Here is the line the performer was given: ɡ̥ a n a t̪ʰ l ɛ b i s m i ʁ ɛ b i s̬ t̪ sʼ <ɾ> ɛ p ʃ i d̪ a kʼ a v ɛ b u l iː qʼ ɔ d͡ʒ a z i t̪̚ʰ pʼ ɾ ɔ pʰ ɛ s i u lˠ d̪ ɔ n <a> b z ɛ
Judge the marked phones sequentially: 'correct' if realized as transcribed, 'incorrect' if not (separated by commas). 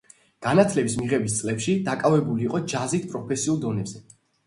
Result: incorrect, incorrect